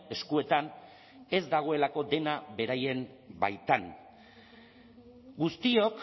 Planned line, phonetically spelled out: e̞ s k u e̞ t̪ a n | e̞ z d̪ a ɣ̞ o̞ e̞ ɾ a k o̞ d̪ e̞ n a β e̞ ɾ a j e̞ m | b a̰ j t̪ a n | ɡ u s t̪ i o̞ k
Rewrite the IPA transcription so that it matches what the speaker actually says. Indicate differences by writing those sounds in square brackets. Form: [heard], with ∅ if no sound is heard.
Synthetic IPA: e̞ s k u e̞ t̪ a n | e̞ z d̪ a ɣ̞ o̞ e̞ [l] a k o̞ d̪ e̞ n a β e̞ ɾ a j e̞ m | b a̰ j t̪ a n | ɡ u s t̪ i o̞ k